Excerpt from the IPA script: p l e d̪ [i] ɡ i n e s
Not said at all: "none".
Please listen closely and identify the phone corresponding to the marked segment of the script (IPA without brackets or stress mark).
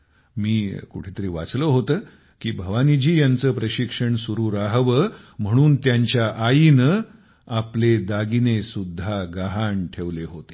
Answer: a